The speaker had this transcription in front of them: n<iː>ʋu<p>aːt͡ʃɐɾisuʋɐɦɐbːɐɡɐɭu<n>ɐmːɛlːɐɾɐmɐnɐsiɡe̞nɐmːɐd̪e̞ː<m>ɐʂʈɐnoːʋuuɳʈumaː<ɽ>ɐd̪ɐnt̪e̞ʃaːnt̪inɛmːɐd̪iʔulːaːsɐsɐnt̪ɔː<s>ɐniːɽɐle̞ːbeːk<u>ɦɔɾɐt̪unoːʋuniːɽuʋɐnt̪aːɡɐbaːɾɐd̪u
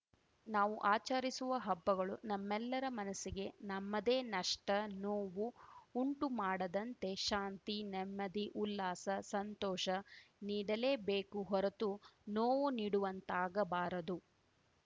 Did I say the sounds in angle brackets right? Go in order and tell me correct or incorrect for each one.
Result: incorrect, incorrect, correct, incorrect, correct, incorrect, correct

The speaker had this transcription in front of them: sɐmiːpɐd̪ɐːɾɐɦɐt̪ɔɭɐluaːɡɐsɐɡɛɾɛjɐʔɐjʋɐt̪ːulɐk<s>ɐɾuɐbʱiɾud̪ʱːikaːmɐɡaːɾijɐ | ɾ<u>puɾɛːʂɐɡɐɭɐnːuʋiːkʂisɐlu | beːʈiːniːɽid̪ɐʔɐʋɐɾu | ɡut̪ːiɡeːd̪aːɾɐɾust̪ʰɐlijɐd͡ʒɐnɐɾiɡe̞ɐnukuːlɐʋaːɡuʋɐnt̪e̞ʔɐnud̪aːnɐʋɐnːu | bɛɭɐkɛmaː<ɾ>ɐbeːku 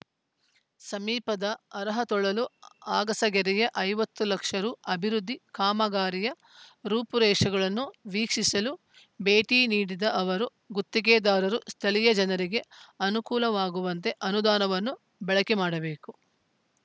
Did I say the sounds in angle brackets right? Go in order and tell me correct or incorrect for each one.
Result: incorrect, incorrect, incorrect

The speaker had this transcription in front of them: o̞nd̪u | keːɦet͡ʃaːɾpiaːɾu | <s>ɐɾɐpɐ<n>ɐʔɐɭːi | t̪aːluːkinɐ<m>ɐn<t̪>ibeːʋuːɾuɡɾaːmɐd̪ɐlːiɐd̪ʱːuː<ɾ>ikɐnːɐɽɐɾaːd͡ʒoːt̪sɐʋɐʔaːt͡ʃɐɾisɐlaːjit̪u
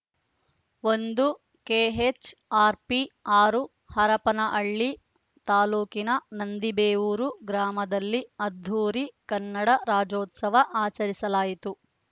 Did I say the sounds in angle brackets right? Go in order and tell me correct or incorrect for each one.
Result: incorrect, correct, incorrect, incorrect, correct

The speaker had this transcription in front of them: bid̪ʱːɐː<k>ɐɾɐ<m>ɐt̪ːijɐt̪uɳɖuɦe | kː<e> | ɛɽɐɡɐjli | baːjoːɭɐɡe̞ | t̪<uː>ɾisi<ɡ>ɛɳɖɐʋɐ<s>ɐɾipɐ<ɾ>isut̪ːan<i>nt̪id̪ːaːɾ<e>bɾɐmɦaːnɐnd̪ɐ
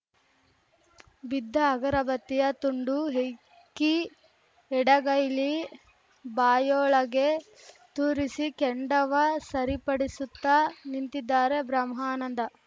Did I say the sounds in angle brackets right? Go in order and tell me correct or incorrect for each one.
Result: incorrect, incorrect, incorrect, correct, incorrect, correct, incorrect, correct, correct

